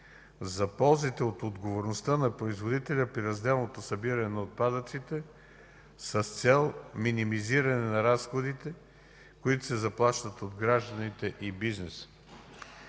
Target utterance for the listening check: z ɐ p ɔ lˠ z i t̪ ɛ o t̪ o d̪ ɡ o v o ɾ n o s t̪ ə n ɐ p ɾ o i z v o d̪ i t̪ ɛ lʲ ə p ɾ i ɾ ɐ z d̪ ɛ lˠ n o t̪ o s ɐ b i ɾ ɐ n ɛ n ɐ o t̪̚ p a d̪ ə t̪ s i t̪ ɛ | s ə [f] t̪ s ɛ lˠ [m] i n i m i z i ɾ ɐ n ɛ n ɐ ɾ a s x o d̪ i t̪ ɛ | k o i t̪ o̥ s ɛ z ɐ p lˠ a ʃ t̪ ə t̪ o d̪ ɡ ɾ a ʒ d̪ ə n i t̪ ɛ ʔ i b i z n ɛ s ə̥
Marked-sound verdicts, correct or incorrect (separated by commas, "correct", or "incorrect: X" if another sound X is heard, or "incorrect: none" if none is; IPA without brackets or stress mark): incorrect: s, correct